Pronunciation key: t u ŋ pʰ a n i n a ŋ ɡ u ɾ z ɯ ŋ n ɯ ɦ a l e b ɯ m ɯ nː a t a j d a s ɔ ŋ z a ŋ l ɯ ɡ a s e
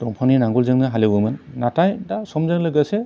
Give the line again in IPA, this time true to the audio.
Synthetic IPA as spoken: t ɔ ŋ pʰ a n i n a ŋ ɡ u l z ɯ ŋ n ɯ ɦ a l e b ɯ m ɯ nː a t a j d a s ɔ m z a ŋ l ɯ ɡ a s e